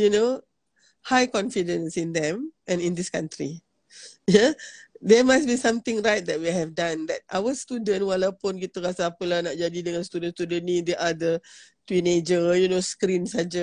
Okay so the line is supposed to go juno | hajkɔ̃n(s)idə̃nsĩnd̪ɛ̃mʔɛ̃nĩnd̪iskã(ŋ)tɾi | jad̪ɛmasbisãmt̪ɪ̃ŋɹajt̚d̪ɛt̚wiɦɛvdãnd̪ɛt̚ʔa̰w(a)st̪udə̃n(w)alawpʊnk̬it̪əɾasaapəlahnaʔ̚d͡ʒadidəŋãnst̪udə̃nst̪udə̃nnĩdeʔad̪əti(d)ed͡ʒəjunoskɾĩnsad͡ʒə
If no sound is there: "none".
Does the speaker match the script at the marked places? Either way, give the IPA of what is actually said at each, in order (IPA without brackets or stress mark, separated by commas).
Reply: f, n, ə, w, n